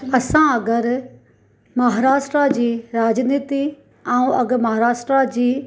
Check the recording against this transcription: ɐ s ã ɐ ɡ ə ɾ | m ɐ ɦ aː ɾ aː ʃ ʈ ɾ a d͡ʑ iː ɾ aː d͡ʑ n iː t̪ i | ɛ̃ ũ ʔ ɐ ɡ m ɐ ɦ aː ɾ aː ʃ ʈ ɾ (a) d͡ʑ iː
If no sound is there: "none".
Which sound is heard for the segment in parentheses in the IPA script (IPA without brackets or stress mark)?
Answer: a